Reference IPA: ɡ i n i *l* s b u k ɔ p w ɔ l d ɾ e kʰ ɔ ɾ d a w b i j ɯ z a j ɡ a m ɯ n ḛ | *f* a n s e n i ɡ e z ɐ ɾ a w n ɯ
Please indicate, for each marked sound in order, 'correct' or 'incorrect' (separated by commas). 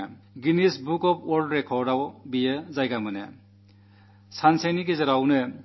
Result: incorrect, incorrect